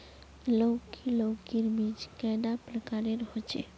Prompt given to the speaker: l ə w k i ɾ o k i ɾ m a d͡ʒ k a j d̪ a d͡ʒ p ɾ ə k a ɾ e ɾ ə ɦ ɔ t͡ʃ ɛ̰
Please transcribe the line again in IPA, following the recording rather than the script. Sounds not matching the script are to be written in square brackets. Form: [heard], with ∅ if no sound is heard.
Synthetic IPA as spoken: l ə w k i [l] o k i ɾ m [i] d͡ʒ k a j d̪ a [∅] p ɾ ə k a ɾ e ɾ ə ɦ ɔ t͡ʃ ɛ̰